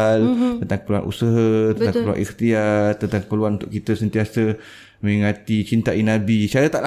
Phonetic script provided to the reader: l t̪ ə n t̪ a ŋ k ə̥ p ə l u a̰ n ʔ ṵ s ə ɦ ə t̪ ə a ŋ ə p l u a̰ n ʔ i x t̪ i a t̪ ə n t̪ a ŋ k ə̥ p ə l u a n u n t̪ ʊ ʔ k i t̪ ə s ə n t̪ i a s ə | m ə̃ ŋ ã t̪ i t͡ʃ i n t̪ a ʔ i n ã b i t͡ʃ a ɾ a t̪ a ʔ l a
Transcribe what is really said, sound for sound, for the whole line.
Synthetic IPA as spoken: l t̪ ə n t̪ a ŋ k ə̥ p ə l u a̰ n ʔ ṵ s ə ɦ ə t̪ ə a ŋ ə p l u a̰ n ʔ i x t̪ i a t̪ ə n t̪ a ŋ k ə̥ p ə l u a n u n t̪ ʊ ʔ k i t̪ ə s ə n t̪ i a s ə | m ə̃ ŋ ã t̪ i t͡ʃ i n t̪ a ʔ i n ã b i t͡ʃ a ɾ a t̪ a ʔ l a